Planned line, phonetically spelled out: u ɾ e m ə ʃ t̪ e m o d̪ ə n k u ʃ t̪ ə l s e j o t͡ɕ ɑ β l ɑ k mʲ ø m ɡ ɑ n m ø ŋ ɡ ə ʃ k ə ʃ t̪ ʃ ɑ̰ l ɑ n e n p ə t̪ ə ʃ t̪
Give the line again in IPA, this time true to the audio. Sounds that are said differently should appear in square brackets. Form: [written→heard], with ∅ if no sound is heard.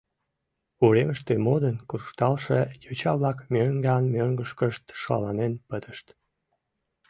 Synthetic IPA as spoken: u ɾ e m ə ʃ t̪ e m o d̪ ə n k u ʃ t̪ [ə→ɑ] l [s→ʃ] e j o t͡ɕ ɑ β l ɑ k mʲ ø [m→ŋ] ɡ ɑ n m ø ŋ ɡ ə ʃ k ə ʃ t̪ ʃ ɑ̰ l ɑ n e n p ə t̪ ə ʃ t̪